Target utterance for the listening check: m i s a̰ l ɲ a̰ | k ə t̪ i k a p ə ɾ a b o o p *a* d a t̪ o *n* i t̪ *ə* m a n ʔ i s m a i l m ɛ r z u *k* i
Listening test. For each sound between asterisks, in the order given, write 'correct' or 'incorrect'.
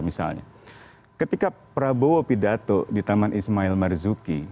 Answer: incorrect: i, incorrect: d, incorrect: a, correct

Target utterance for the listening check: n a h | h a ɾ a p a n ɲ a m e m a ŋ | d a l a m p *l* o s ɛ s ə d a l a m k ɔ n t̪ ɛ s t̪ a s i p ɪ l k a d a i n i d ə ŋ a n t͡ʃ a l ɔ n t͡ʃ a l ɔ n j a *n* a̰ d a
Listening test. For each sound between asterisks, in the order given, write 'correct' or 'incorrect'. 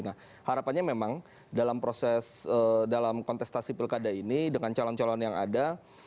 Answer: incorrect: ɾ, incorrect: ŋ

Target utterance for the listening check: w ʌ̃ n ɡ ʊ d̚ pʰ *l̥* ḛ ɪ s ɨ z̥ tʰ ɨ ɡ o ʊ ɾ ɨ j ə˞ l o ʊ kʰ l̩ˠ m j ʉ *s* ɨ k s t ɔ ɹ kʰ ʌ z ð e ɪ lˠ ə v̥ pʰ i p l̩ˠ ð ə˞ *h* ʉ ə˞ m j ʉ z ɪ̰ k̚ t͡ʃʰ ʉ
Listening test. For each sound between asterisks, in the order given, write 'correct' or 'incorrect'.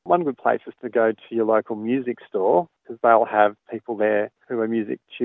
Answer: correct, incorrect: z, correct

